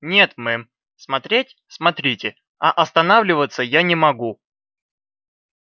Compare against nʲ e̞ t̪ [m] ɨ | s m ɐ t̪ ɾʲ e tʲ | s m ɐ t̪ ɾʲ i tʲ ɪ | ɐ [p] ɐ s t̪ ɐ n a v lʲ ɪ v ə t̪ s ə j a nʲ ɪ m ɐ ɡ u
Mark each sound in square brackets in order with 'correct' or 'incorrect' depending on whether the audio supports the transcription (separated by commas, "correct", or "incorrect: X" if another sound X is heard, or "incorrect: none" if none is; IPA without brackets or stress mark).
correct, incorrect: ʔ